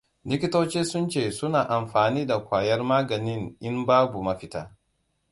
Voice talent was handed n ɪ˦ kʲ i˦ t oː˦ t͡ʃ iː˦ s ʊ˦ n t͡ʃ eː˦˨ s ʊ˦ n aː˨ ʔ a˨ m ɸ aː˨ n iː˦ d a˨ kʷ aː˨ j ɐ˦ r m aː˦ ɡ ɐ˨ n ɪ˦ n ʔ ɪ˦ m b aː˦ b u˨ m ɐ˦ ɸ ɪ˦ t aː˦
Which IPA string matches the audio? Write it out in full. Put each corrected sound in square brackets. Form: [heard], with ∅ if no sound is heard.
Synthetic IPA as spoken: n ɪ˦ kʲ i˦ t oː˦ t͡ʃ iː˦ s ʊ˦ n t͡ʃ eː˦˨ s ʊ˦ n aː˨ ʔ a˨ m ɸ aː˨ n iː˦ d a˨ kʷ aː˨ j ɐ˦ r m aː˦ ɡ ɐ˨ n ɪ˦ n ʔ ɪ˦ m b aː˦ b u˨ m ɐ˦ ɸ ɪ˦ t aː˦

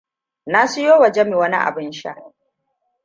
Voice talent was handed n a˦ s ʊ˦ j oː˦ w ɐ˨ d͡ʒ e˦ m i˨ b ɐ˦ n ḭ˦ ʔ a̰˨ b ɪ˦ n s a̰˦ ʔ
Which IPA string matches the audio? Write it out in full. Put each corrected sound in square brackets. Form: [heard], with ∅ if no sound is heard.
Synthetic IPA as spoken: n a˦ s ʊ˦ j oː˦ w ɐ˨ d͡ʒ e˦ m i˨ [w] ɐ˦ n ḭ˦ ʔ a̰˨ b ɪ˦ n [ʃ] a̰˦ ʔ

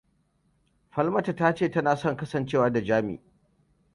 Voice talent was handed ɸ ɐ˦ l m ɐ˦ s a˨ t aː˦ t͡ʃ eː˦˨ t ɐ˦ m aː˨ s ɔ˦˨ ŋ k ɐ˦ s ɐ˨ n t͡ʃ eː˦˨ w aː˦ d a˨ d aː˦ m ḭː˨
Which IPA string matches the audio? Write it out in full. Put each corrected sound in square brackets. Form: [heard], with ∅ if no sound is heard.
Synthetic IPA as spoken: ɸ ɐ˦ l m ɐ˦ [t] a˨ t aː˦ t͡ʃ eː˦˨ t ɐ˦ [n] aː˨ s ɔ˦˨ ŋ k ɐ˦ s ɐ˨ n t͡ʃ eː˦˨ w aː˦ d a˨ [d͡ʒ] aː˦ m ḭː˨

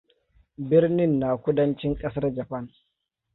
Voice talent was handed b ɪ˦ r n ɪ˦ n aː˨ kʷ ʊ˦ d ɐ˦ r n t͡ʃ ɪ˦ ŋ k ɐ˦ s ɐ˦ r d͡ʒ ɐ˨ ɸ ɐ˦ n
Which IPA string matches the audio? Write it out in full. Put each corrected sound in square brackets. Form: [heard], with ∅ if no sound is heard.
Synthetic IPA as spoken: b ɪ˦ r n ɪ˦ [nː] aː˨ kʷ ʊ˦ d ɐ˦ [∅] n t͡ʃ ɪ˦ ŋ [kʼ] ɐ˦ s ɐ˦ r d͡ʒ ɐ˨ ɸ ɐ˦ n

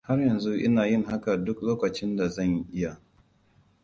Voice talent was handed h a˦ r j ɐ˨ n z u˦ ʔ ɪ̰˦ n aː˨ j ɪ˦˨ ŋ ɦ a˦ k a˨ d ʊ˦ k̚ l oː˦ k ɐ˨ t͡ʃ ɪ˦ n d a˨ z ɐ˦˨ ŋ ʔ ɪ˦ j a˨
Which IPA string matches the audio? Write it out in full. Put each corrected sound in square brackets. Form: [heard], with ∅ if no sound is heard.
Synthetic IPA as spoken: h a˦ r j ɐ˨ n z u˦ ʔ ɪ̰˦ n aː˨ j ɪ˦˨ ŋ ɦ a˦ k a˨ d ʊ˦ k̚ l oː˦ k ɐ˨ t͡ʃ ɪ˦ n d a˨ z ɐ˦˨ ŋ ʔ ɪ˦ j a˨

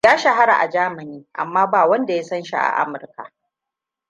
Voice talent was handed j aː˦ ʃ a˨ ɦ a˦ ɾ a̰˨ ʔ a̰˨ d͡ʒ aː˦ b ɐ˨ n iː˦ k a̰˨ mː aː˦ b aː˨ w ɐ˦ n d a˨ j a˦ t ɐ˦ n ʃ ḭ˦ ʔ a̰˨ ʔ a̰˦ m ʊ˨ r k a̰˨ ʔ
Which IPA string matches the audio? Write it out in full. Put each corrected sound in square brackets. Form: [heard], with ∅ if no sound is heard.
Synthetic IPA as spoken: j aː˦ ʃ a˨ ɦ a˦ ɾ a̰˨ ʔ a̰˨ d͡ʒ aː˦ [m] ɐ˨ n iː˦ [ʔ] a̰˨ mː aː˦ b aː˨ w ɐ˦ n d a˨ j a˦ [s] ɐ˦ n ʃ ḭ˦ ʔ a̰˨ ʔ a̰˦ m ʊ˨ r k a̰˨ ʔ

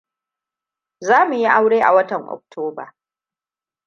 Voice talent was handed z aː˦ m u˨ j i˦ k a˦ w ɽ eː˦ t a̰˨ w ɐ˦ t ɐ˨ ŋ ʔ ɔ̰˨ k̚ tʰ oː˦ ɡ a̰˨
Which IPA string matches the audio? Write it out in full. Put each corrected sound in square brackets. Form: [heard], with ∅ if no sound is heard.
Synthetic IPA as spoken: z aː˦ m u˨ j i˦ [ʔ] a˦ w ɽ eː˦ [ʔ] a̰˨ w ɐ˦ t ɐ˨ ŋ ʔ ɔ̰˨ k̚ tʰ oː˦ [b] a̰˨

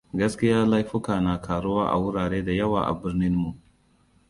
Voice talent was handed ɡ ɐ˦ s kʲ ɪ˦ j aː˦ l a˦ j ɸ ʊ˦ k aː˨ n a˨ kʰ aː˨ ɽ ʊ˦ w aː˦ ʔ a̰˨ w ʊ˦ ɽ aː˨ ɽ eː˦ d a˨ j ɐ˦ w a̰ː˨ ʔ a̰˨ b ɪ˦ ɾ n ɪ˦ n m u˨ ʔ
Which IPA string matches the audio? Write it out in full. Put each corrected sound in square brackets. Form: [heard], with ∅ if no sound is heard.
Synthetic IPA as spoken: ɡ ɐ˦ s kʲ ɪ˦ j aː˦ l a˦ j ɸ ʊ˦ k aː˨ n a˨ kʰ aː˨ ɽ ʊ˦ w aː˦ ʔ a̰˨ w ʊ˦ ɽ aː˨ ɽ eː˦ d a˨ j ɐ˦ w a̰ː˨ ʔ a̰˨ b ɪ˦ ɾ n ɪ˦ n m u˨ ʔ

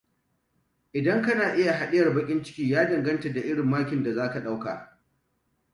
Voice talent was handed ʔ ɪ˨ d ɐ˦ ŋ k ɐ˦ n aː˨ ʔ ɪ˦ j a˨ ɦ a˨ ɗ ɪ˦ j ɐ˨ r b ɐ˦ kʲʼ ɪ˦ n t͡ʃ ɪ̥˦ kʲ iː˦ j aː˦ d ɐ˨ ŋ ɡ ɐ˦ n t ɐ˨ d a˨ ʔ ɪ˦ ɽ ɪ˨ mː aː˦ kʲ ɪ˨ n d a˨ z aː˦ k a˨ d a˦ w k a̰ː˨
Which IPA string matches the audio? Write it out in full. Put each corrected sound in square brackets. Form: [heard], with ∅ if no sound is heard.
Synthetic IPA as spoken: ʔ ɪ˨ d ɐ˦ ŋ k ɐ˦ n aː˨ ʔ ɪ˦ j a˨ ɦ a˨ ɗ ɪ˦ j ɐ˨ r b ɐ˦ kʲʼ ɪ˦ n t͡ʃ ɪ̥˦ kʲ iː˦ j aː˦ d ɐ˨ ŋ ɡ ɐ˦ n t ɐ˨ d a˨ ʔ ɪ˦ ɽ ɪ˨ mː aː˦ kʲ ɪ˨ n d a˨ z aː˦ k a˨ [ɗ] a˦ w k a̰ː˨

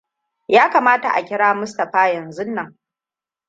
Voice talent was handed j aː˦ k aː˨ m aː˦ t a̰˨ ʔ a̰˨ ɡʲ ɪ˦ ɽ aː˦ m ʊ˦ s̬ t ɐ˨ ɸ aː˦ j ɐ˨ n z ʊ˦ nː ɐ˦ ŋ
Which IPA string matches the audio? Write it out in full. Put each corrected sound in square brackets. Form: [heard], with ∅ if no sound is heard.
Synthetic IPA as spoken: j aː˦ k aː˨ m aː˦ t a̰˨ ʔ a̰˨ [kʲ] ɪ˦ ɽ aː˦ m ʊ˦ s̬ t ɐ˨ ɸ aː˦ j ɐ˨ n z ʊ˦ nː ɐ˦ ŋ

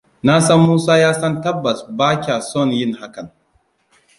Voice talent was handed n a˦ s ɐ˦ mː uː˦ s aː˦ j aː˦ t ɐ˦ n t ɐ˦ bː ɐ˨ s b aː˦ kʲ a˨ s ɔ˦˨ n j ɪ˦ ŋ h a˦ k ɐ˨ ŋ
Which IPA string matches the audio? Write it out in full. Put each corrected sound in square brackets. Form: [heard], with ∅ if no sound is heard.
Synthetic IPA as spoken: n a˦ s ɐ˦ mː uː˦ s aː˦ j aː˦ [s] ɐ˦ n t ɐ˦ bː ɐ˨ s b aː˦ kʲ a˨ s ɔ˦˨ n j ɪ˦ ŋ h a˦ k ɐ˨ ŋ

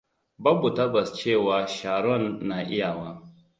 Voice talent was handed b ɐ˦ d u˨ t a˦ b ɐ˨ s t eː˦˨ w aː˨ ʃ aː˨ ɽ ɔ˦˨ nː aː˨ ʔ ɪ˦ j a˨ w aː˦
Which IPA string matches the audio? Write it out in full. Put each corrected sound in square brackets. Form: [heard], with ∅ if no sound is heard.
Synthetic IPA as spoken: b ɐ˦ [b] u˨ t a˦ b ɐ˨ s [t͡ʃ] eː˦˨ w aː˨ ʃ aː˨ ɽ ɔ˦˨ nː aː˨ ʔ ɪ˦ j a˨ w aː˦

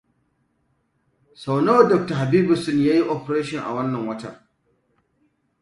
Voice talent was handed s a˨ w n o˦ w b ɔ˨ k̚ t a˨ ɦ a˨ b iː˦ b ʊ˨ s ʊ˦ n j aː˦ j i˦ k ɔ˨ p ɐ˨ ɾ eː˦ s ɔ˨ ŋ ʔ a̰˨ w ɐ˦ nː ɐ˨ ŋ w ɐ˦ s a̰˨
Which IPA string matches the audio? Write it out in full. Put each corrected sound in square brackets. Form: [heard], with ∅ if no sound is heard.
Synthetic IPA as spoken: s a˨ w n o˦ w [d] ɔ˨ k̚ t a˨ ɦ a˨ b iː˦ b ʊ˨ s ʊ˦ n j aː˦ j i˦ [ʔ] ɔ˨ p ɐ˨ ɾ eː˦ [ʃ] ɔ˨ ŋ ʔ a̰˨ w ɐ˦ nː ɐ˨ ŋ w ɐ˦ [t] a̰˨

